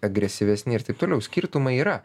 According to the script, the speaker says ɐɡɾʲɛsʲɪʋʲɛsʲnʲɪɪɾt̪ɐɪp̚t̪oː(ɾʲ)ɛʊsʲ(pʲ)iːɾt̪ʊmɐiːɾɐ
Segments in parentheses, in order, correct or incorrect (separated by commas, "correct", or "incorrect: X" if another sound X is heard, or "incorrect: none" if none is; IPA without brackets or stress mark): incorrect: lʲ, incorrect: kʲ